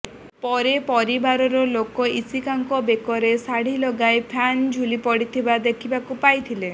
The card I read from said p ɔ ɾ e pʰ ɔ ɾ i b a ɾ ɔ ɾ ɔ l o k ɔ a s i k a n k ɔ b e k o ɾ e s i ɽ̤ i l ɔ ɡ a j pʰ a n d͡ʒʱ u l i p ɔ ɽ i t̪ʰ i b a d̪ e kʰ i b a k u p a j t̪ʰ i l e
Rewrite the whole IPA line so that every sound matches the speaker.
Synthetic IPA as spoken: p ɔ ɾ e p ɔ ɾ i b a ɾ ɔ ɾ ɔ l o k ɔ i s i k a ŋ k ɔ b e k ɔ ɾ e s a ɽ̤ i l ɔ ɡ a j pʰ a n d͡ʒʱ u l i p ɔ ɽ i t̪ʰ i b a d̪ e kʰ i b a k u p a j t̪ʰ i l e

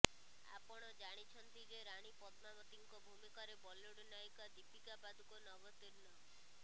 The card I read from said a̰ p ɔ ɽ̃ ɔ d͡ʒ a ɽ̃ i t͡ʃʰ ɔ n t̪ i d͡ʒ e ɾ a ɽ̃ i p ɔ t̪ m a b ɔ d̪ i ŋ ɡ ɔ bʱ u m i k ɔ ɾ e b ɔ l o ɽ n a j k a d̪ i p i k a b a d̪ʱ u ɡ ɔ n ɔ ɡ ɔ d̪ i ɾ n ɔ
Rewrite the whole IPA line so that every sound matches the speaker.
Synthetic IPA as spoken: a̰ p ɔ ɽ̃ ɔ d͡ʒ a ɽ̃ i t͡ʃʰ ɔ n t̪ i d͡ʒ e ɾ a ɽ̃ i p ɔ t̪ m a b ɔ t̪ i ŋ k ɔ bʱ u m i k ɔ ɾ e b ɔ l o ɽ n a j k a d̪ i p i k a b a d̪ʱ u k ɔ n ɔ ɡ ɔ t̪ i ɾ n ɔ

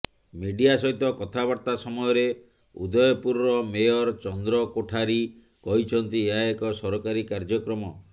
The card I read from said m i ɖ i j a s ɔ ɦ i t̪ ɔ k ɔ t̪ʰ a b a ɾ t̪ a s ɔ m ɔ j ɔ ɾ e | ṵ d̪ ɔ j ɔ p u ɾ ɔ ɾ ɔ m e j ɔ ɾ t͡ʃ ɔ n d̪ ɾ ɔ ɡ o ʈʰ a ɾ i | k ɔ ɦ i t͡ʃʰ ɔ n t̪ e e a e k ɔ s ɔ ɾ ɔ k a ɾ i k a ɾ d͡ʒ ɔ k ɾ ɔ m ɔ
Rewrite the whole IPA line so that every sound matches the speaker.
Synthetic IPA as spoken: m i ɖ i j a s ɔ ɦ i t̪ ɔ k ɔ t̪ʰ a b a ɾ t̪ a s ɔ m ɔ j ɔ ɾ e | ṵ d̪ ɔ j ɔ p u ɾ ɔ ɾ ɔ m e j ɔ ɾ t͡ʃ ɔ n d̪ ɾ ɔ k o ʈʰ a ɾ i | k ɔ ɦ i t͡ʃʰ ɔ n t̪ i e a e k ɔ s ɔ ɾ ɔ k a ɾ i k a ɾ d͡ʒ ɔ k ɾ ɔ m ɔ

